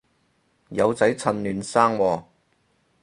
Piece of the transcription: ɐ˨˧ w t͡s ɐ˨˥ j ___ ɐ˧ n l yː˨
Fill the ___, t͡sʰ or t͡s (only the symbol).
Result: t͡sʰ